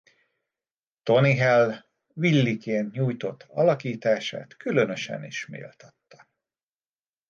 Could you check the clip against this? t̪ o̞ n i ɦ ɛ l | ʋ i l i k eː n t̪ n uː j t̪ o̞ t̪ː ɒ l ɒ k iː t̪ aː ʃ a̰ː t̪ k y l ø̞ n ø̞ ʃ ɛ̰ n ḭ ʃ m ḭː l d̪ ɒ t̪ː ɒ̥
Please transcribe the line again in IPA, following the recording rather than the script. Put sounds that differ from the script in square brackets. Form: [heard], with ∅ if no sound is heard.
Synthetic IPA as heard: t̪ o̞ n i ɦ ɛ l | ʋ i [lː] i k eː n t̪ [ɲ] uː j t̪ o̞ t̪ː ɒ l ɒ k iː t̪ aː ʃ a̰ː t̪ k y l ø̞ n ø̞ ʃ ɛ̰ n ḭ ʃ m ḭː l [t̪] ɒ t̪ː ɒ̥